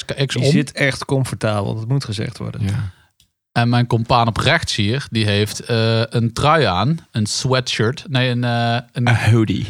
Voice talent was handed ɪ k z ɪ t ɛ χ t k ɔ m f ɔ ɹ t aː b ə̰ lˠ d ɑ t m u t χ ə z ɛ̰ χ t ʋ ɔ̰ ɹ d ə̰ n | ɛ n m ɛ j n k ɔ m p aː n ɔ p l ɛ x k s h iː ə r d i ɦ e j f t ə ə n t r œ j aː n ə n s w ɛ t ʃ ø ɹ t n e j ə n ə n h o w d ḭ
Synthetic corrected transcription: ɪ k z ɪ t ɛ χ t k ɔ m f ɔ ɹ t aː b ə̰ lˠ d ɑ t m u t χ ə z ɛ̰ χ t ʋ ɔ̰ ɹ d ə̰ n | ɛ n m ɛ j n k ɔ m p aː n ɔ p r ɛ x t s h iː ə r d i ɦ e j f t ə ə n t r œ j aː n ə n s w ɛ t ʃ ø ɹ t n e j ə n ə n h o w d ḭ